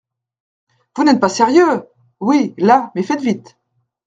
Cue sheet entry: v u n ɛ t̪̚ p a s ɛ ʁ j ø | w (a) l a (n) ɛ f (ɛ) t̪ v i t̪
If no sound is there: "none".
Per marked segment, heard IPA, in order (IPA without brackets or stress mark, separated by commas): i, m, ɛ